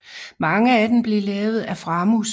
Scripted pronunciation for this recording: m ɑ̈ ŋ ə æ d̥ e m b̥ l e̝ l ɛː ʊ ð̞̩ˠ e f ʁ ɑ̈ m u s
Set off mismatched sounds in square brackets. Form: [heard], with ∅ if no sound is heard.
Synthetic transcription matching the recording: m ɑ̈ ŋ ə æ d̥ e m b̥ l e̝ l ɛː ʊ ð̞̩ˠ [æ] f ʁ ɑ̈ m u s